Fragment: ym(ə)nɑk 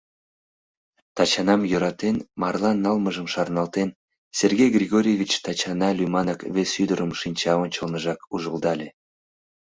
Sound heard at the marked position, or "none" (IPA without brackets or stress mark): ɑ